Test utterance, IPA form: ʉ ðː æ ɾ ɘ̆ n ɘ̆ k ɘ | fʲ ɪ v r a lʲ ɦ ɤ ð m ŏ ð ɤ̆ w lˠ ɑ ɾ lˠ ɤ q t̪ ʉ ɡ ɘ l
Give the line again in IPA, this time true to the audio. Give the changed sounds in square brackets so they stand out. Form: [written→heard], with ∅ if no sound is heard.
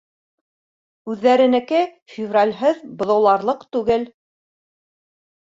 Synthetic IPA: ʉ ðː æ ɾ ɘ̆ n ɘ̆ k ɘ | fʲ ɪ v r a lʲ ɦ ɤ ð [m→b] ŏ ð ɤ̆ w lˠ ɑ ɾ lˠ ɤ q t̪ ʉ ɡ ɘ l